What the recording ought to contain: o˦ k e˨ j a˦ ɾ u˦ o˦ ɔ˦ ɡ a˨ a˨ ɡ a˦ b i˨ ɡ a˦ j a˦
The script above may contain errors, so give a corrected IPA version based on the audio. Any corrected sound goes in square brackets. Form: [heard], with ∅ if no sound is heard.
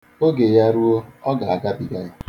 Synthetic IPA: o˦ [ɡ] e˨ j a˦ ɾ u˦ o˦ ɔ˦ ɡ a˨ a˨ ɡ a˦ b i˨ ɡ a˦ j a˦